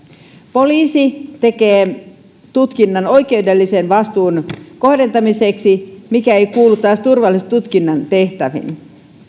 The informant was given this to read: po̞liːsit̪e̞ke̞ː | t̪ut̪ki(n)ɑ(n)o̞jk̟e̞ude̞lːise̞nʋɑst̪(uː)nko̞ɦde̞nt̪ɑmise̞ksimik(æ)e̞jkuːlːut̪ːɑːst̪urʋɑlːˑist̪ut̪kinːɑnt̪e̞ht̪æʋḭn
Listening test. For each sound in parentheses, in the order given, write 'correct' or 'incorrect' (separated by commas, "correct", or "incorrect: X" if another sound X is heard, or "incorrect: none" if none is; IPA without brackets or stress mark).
incorrect: nː, correct, correct, correct